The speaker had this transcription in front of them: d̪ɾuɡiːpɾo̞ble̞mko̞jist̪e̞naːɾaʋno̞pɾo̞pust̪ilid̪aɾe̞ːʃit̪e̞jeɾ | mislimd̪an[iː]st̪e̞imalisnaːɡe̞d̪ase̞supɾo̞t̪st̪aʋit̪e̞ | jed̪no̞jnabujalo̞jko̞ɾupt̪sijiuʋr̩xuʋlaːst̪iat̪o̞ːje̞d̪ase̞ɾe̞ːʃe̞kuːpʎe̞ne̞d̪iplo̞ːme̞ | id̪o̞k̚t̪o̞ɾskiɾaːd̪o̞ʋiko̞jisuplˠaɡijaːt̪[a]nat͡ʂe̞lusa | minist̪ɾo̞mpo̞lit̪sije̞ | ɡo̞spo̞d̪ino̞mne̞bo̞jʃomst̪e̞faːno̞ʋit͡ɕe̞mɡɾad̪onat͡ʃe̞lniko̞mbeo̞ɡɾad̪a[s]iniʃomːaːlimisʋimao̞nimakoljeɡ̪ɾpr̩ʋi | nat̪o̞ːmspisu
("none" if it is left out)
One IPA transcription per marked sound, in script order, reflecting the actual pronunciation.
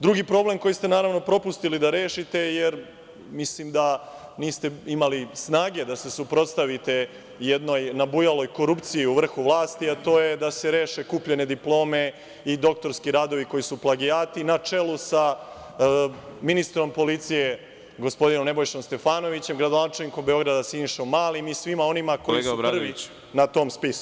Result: iː, i, s

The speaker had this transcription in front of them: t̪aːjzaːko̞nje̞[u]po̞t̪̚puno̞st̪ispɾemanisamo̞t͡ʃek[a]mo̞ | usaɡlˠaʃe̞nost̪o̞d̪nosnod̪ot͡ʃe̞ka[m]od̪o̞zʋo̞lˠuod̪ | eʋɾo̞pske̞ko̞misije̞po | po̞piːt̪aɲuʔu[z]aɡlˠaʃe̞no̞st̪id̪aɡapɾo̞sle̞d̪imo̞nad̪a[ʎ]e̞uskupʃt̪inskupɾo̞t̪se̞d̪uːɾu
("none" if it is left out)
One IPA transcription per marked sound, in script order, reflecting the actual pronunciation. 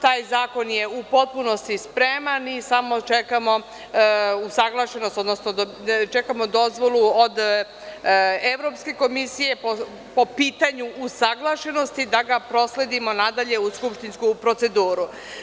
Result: u, a, m, s, ʎ

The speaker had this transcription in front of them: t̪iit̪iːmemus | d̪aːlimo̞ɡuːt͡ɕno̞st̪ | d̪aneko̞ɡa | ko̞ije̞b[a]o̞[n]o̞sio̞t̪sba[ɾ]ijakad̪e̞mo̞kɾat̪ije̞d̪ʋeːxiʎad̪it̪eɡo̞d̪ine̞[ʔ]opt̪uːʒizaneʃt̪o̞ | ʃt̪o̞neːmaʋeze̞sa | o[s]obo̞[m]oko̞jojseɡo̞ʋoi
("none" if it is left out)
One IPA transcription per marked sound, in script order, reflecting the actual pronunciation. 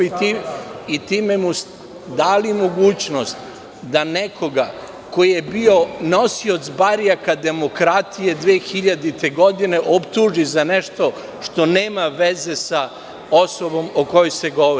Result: i, n, ɾ, ʔ, s, m

